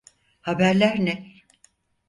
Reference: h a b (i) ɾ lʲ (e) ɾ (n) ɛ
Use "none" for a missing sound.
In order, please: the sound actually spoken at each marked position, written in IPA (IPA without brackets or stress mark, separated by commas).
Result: æ, æ, n